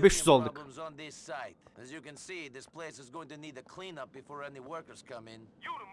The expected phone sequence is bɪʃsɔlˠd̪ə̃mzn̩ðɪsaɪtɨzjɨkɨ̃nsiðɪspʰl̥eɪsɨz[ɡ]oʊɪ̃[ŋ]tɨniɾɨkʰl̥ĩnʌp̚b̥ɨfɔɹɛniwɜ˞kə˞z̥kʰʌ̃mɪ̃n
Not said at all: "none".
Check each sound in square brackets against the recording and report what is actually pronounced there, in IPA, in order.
ɡ, ŋ

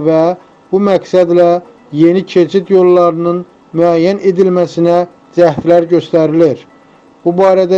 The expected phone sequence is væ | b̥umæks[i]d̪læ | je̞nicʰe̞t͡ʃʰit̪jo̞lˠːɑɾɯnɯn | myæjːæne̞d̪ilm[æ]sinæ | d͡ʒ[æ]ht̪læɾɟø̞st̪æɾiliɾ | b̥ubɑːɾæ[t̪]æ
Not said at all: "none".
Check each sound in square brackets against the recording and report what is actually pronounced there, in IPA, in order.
æ, æ, æ, d̪

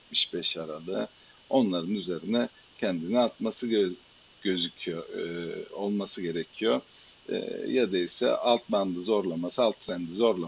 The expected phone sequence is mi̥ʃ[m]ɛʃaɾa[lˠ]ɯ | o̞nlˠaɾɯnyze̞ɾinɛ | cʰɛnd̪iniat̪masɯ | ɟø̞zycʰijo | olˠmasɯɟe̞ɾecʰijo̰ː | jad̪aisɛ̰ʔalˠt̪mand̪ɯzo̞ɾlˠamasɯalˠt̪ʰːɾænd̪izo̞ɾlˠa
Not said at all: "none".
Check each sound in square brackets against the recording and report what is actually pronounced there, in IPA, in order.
b, lˠ

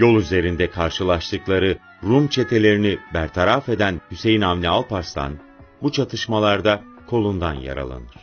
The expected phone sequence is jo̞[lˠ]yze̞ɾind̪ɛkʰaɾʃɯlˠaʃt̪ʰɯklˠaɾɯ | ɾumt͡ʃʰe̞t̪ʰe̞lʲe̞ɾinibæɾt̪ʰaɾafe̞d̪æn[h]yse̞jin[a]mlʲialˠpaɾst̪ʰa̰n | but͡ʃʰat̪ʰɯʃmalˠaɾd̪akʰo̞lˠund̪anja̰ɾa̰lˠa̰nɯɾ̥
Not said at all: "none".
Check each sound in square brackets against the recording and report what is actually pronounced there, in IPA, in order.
lˠ, h, a

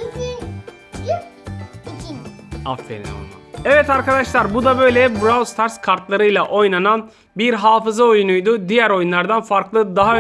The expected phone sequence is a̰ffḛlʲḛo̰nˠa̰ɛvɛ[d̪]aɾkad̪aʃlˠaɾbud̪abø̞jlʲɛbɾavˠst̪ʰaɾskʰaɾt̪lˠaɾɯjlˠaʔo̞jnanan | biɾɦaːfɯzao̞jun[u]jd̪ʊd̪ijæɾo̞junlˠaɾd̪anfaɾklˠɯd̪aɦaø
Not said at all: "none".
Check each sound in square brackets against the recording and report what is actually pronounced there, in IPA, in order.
t̪, u

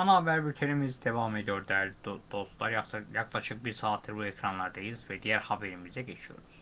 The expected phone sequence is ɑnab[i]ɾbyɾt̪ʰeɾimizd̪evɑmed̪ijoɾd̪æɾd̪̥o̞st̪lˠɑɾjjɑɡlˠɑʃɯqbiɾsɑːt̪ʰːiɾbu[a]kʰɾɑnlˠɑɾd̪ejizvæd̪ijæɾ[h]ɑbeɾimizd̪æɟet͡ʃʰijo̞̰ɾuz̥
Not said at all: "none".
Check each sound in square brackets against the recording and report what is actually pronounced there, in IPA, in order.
æ, e, h

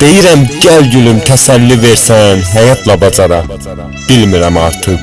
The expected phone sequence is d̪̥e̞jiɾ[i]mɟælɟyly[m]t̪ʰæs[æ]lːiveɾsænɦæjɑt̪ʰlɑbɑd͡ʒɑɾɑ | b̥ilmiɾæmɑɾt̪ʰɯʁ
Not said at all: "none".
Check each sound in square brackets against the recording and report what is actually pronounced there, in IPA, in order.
æ, m, æ

